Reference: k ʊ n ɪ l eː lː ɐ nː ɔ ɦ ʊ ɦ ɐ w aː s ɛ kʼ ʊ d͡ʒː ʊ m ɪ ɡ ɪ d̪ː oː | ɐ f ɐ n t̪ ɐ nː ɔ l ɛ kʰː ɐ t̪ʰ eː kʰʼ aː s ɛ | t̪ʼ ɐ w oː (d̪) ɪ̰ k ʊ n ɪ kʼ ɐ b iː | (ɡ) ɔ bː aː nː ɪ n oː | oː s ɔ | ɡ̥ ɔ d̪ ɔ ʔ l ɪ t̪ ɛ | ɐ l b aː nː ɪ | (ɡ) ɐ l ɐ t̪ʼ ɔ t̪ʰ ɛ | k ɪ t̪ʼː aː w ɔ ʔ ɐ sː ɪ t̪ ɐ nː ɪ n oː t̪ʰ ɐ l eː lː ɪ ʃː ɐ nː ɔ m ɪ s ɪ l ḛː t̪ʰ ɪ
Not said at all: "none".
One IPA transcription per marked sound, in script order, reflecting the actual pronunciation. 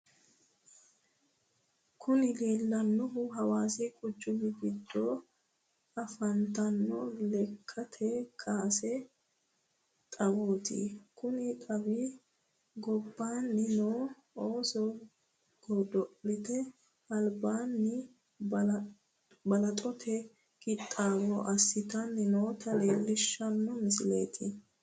t̪, ɡ, b

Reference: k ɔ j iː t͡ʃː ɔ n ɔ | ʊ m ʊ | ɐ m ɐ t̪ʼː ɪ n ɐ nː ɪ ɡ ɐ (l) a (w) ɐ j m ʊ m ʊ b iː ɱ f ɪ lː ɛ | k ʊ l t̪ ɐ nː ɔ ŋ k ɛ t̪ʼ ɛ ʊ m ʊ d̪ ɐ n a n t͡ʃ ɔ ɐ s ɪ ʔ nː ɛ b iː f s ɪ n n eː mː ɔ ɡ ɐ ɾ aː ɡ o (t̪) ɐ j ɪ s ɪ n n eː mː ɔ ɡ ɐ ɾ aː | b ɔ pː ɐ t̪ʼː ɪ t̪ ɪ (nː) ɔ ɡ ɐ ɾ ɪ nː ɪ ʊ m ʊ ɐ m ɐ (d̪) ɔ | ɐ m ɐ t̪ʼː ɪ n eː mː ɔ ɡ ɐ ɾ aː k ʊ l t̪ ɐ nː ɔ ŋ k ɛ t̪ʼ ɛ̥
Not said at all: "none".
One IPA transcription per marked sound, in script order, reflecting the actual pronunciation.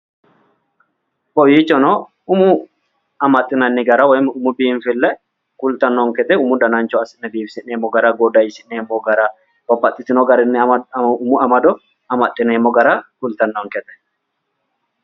ɾ, w, d̪, n, d̪

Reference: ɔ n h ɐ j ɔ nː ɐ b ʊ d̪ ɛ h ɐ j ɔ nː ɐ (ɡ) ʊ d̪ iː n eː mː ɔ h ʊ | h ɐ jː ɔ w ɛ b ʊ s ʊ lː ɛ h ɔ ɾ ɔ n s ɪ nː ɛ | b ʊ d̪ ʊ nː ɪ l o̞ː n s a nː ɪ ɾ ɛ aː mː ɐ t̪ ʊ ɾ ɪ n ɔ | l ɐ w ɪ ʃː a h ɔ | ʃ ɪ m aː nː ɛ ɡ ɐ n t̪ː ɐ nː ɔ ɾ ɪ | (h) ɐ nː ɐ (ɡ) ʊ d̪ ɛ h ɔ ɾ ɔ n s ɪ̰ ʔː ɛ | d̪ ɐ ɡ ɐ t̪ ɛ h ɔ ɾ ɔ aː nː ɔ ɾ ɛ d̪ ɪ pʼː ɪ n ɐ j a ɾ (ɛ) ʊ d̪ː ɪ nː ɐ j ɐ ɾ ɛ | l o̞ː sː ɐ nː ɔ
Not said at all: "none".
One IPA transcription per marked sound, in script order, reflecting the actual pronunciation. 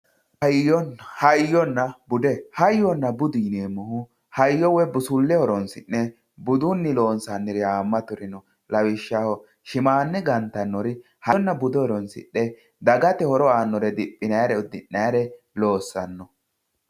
b, h, b, ɛ

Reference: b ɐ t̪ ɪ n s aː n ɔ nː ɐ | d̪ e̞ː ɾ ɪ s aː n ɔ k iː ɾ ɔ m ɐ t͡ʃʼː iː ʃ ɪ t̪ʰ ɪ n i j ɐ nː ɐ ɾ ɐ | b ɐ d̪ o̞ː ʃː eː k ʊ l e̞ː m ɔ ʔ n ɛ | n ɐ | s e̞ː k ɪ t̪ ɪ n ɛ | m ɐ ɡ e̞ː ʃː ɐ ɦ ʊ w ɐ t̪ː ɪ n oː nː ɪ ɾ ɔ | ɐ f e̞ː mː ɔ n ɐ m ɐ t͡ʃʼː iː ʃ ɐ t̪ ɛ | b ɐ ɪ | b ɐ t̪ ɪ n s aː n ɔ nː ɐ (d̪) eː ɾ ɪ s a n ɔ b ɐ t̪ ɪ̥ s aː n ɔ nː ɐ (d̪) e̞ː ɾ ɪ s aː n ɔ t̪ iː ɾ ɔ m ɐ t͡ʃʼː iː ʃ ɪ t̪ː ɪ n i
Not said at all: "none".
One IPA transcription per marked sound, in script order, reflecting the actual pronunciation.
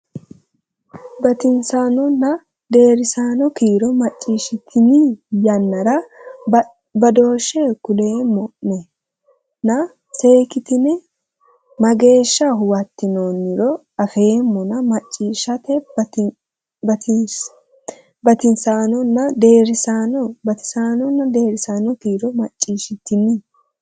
d̪, d̪

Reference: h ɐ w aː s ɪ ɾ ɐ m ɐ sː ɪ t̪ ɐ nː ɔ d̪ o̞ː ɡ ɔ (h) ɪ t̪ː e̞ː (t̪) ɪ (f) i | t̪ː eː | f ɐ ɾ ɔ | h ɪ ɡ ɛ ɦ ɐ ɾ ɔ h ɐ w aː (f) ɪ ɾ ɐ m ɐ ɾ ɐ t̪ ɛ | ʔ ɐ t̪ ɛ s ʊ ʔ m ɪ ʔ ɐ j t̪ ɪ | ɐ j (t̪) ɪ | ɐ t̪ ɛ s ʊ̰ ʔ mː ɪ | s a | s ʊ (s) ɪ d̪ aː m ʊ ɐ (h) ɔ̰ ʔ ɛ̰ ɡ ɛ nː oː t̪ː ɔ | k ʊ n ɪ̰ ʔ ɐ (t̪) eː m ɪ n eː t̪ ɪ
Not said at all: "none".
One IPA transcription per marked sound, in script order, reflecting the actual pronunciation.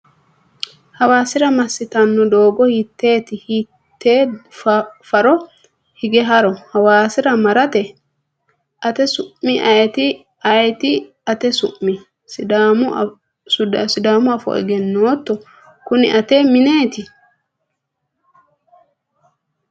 h, t̪, h, s, t̪, s, f, t̪

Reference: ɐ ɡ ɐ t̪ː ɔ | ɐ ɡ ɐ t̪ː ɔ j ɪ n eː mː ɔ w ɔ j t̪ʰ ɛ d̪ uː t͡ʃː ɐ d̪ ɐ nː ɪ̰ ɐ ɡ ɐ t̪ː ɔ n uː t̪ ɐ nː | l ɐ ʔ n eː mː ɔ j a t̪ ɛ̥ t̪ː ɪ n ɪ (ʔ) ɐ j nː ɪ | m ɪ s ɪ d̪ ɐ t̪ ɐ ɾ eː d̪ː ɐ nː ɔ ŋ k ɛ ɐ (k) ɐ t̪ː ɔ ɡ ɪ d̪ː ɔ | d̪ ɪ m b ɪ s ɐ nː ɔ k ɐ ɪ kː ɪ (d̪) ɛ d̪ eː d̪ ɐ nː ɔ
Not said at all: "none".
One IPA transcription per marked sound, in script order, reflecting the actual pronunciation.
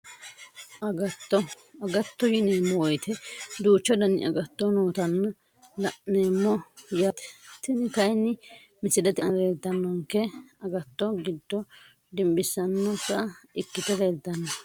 k, ɡ, t̪

